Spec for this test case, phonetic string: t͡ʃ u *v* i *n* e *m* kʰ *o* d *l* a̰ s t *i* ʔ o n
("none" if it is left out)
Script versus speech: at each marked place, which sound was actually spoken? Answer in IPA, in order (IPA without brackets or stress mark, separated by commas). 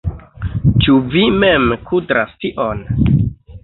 v, m, m, u, ɾ, i